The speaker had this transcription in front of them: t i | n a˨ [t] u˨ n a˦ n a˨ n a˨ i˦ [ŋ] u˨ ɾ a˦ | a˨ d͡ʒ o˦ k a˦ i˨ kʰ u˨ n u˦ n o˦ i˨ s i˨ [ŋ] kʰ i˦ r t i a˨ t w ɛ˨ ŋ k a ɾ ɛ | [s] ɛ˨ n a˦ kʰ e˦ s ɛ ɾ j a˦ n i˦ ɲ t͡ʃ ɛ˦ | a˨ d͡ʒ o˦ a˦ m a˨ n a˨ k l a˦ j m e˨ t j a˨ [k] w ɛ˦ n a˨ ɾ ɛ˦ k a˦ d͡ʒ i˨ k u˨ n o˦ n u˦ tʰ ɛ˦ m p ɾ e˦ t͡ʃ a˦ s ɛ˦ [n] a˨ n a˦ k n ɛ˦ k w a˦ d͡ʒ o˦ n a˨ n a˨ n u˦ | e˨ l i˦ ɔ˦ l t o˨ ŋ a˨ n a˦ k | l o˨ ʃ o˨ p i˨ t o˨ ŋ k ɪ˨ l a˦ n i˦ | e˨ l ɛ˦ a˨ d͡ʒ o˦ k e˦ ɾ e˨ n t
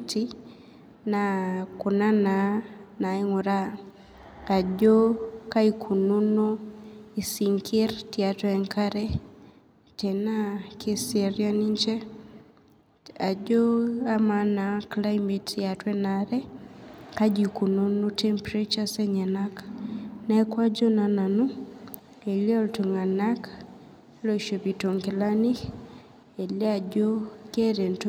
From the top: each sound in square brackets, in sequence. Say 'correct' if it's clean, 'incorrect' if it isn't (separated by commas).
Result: incorrect, correct, correct, incorrect, incorrect, incorrect